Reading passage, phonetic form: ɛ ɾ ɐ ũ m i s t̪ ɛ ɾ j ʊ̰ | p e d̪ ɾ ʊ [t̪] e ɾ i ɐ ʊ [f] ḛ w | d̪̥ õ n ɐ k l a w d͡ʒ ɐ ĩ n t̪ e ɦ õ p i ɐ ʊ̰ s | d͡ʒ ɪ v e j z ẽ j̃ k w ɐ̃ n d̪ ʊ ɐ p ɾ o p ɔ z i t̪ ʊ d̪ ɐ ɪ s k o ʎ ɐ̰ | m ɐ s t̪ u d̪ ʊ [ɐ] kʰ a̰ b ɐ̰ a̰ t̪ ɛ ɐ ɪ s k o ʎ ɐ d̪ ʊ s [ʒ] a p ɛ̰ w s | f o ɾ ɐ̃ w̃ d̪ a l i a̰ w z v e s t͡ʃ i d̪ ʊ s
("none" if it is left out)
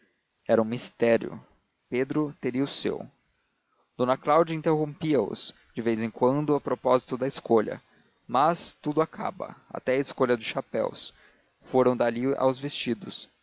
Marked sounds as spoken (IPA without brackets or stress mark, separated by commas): t̪, s, a, ʃ